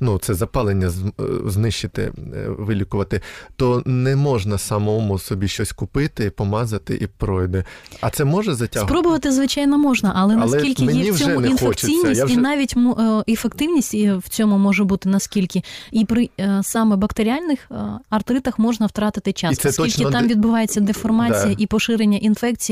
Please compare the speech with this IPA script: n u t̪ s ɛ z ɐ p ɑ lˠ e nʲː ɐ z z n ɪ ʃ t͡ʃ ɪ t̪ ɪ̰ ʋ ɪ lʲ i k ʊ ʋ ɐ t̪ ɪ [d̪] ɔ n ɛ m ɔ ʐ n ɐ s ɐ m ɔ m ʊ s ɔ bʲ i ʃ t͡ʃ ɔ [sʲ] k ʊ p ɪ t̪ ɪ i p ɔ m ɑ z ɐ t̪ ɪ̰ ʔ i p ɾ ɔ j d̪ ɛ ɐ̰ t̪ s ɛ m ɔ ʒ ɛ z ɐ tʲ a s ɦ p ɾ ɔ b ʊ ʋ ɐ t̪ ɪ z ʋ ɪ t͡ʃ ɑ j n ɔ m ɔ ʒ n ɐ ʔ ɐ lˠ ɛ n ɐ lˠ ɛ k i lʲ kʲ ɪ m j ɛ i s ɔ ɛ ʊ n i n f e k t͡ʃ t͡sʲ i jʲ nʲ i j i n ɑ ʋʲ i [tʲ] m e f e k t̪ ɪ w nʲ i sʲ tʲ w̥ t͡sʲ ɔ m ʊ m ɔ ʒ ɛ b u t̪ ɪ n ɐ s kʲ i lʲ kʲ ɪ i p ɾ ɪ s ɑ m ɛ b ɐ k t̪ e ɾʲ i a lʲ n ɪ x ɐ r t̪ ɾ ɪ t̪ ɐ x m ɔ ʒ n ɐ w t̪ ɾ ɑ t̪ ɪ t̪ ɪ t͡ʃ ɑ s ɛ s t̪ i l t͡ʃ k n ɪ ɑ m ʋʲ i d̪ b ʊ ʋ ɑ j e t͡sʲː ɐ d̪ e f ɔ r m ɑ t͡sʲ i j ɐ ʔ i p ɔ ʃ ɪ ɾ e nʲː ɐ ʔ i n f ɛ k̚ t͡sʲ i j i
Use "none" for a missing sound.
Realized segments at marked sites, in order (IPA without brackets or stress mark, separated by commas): t̪, sʲ, tʲ